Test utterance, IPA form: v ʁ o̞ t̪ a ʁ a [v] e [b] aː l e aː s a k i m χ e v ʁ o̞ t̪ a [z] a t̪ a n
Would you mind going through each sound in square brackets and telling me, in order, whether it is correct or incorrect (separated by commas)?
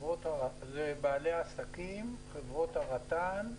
incorrect, correct, incorrect